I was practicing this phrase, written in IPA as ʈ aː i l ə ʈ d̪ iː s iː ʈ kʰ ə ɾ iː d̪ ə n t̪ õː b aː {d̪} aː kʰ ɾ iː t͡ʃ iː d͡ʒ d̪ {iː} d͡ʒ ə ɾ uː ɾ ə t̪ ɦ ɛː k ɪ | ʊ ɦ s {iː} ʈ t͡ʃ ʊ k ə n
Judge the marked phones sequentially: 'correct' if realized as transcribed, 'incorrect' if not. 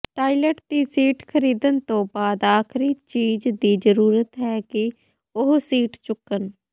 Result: correct, correct, correct

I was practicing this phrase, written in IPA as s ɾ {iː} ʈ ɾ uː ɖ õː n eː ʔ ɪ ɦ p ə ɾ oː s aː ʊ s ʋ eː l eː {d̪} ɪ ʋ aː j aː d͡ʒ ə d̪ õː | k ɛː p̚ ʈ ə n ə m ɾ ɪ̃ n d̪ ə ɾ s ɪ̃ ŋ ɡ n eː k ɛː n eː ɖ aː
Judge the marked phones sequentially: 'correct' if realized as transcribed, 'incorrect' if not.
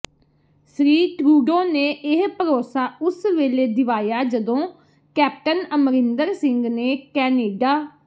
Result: correct, correct

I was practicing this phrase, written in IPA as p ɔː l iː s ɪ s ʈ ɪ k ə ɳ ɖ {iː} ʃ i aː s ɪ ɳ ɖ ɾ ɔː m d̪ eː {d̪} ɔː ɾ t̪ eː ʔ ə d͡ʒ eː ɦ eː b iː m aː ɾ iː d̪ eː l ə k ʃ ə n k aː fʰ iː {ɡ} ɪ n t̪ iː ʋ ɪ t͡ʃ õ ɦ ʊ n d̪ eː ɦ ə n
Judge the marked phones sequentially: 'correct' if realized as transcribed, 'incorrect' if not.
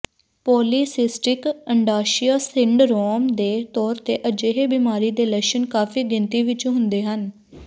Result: incorrect, incorrect, correct

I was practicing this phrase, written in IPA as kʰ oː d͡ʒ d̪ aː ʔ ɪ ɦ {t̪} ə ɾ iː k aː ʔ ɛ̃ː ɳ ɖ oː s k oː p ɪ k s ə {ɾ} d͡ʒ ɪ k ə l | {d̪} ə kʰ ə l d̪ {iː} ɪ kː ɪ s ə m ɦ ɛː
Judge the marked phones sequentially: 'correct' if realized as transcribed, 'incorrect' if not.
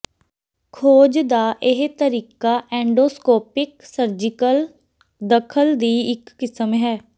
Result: correct, correct, correct, correct

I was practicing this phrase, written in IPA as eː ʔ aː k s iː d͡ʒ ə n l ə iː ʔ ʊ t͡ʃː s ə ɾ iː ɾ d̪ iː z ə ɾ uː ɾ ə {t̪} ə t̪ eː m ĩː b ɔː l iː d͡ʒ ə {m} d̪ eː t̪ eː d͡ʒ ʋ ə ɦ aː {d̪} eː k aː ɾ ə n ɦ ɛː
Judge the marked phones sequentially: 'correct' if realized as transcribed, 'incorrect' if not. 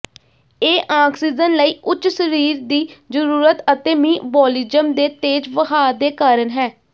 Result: correct, correct, correct

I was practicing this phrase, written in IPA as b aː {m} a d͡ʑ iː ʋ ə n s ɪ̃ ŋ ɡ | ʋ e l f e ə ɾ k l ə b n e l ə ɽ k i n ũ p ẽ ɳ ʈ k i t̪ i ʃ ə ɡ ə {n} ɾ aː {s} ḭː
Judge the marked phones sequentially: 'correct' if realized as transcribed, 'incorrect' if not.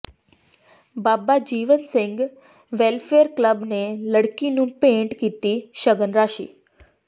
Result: incorrect, correct, incorrect

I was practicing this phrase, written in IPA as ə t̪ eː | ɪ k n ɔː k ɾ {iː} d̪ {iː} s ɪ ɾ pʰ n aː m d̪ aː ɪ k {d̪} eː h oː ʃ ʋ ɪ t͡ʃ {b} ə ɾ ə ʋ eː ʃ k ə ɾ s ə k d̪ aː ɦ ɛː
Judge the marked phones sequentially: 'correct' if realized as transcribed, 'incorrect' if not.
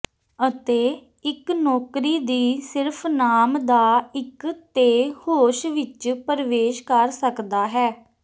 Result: correct, correct, incorrect, incorrect

